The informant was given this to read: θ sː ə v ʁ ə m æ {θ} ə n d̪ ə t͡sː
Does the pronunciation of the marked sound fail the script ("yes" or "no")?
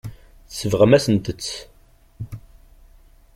yes